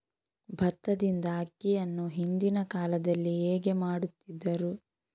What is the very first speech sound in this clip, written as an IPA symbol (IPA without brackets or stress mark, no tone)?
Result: bʱ